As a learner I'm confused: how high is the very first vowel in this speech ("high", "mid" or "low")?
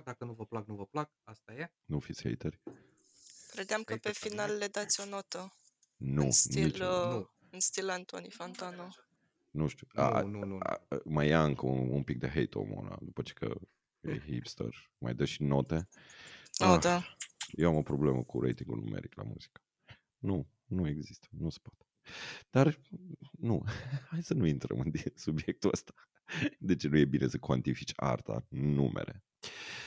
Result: low